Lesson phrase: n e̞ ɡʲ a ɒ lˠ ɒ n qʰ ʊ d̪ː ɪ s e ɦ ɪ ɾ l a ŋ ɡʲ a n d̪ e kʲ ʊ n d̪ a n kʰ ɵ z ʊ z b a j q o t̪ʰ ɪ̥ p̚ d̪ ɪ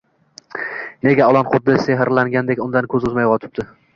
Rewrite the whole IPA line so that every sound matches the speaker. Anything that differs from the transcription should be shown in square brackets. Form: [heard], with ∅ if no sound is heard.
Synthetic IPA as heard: n e̞ ɡʲ a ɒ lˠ ɒ n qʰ ʊ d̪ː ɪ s e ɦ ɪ ɾ l a ŋ ɡʲ a n d̪ e kʲ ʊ n d̪ a n kʰ ɵ z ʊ z [m] a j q [ɒ] t̪ʰ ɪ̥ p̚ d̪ ɪ